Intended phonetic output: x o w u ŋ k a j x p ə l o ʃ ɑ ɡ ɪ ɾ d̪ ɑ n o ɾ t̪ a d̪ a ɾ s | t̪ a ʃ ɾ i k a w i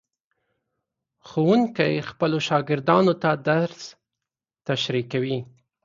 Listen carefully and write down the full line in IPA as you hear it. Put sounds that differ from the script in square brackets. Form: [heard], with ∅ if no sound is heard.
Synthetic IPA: x o w u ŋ k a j x p ə l o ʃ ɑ ɡ ɪ ɾ d̪ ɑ n o [∅] t̪ a d̪ a ɾ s | t̪ a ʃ ɾ i k a w i